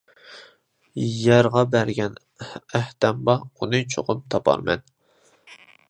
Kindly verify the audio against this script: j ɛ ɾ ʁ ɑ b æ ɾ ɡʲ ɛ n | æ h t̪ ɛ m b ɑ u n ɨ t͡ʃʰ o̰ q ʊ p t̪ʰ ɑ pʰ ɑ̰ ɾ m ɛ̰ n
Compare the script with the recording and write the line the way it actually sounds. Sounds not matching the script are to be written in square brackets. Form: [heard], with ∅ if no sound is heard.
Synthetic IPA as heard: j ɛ ɾ ʁ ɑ b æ ɾ ɡʲ ɛ n | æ h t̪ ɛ m b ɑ u n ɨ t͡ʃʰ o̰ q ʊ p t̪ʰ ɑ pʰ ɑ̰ ɾ m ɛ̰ n

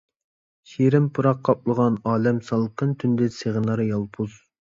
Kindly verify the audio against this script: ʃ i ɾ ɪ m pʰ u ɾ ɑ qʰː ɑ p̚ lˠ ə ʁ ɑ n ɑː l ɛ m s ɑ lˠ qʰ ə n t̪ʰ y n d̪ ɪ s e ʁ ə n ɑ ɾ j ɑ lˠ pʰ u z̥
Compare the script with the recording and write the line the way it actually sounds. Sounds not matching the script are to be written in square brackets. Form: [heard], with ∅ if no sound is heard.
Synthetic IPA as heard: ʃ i ɾ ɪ m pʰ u ɾ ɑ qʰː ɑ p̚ lˠ ə ʁ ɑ n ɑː l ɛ m s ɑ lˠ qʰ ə n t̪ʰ y n d̪ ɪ s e ʁ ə n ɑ ɾ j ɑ lˠ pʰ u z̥

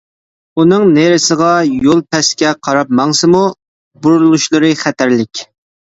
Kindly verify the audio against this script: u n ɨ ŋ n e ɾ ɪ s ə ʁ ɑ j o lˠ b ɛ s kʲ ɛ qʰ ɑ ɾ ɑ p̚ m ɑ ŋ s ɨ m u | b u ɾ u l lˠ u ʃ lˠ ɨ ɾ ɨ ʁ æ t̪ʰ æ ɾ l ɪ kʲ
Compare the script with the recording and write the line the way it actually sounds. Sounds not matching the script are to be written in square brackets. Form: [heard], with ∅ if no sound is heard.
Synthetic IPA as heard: u n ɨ ŋ n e ɾ ɪ s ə ʁ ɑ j o lˠ [p] ɛ s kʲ ɛ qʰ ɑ ɾ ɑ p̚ m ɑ ŋ s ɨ m u | b u ɾ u l lˠ u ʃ lˠ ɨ ɾ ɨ [χ] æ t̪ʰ æ ɾ l ɪ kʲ

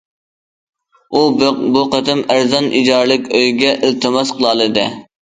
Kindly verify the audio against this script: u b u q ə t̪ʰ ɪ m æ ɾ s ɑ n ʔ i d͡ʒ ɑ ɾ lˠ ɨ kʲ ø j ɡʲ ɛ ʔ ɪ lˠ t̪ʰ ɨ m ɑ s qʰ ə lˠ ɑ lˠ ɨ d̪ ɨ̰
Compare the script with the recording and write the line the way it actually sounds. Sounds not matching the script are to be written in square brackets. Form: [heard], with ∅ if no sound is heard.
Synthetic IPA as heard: u b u q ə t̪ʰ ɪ m æ ɾ [z] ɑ n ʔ i d͡ʒ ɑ ɾ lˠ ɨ kʲ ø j ɡʲ ɛ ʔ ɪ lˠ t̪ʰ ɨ m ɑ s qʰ ə lˠ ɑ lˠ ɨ d̪ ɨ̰

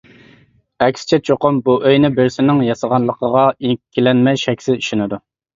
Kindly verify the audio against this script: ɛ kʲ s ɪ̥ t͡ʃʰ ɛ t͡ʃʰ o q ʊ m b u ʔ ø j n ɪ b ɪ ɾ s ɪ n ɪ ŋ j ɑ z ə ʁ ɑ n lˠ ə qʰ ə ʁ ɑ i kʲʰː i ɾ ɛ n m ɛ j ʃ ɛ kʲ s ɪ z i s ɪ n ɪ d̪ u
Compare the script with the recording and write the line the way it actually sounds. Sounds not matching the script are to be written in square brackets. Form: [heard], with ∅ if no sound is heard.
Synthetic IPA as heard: ɛ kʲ s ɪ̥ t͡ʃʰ ɛ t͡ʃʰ o q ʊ m b u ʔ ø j n ɪ b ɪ ɾ s ɪ n ɪ ŋ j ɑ [s] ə ʁ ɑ n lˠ ə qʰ ə ʁ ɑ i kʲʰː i [l] ɛ n m ɛ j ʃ ɛ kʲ s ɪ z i [ʃ] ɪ n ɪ d̪ u

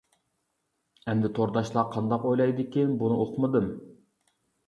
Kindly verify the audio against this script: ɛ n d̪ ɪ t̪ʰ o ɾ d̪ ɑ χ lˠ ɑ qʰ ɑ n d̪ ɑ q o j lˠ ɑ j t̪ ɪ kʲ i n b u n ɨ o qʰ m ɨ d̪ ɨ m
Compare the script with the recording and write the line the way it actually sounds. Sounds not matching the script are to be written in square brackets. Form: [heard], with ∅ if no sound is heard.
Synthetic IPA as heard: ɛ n d̪ ɪ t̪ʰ o ɾ d̪ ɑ [ʃ] lˠ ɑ qʰ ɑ n d̪ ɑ q o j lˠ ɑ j [d̪] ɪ kʲ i n b u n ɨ o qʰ m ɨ d̪ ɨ m

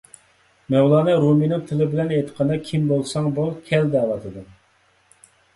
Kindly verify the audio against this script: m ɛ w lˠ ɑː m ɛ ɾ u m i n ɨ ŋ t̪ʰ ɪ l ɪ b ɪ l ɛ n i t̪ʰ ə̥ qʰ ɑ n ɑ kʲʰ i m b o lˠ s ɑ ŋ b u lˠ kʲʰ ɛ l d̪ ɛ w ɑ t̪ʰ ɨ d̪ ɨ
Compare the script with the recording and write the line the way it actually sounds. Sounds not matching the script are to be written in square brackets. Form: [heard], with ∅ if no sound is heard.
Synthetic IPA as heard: m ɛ w lˠ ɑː [n] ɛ ɾ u m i n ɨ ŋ t̪ʰ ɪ l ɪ b ɪ l ɛ n [e] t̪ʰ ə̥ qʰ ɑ n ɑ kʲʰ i m b o lˠ s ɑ ŋ b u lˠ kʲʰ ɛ l d̪ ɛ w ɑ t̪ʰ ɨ d̪ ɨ

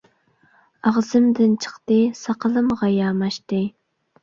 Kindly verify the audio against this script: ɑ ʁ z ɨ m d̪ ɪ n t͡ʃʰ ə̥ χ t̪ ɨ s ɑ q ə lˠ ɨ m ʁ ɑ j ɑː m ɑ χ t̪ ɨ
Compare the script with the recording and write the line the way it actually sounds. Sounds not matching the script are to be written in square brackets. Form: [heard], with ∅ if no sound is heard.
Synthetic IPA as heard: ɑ ʁ z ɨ m d̪ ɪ n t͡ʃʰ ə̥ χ t̪ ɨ s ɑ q ə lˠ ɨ m ʁ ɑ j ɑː m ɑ [ʃ] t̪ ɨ

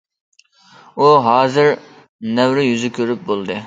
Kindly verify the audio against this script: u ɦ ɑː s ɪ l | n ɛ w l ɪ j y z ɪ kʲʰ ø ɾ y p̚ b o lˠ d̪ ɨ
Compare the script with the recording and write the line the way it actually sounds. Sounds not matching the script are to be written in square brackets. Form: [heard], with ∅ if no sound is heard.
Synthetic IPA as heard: u ɦ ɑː [z] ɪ [ɾ] | n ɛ w [ɾ] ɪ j y z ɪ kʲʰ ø ɾ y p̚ b o lˠ d̪ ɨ

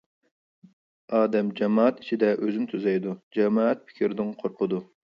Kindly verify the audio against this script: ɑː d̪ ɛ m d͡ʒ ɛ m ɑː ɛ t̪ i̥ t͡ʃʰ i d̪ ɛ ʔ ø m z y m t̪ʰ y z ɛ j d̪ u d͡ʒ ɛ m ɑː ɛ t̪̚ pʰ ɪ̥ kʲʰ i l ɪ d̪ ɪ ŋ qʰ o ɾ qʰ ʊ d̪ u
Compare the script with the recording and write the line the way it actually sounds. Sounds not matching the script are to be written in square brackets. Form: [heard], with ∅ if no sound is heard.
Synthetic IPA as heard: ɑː d̪ ɛ m d͡ʒ ɛ m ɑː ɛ t̪ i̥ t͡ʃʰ i d̪ ɛ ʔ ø [∅] z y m t̪ʰ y z ɛ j d̪ u d͡ʒ ɛ m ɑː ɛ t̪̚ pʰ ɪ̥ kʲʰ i [ɾ] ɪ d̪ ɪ ŋ qʰ o ɾ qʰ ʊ d̪ u

